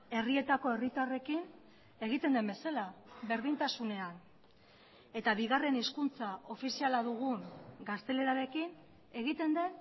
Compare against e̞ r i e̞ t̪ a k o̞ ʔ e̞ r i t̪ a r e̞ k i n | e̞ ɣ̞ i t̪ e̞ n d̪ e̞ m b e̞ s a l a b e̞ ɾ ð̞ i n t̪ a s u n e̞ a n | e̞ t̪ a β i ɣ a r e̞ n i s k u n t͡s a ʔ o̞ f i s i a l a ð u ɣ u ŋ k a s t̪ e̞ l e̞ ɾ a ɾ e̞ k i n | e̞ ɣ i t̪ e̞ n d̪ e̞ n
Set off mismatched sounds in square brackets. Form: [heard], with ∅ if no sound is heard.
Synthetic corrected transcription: e̞ r i e̞ t̪ a k o̞ [∅] e̞ r i t̪ a r e̞ k i n | e̞ ɣ̞ i t̪ e̞ n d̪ e̞ m b e̞ s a l a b e̞ ɾ ð̞ i n t̪ a s u n e̞ a n | e̞ t̪ a β i ɣ a r e̞ n i s k u n t͡s a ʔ o̞ f i s i a l a ð u ɣ u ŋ [ɡ] a s t̪ e̞ l e̞ ɾ a ɾ e̞ k i n | e̞ ɣ i t̪ e̞ n d̪ e̞ n